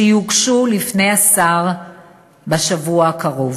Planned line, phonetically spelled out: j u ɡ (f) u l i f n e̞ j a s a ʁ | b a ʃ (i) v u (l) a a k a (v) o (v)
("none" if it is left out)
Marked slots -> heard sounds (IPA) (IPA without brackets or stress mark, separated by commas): ʃ, a, none, ʁ, v